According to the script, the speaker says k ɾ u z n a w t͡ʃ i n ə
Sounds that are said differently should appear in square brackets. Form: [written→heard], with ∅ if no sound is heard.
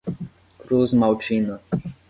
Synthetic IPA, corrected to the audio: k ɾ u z [n→m] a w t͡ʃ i n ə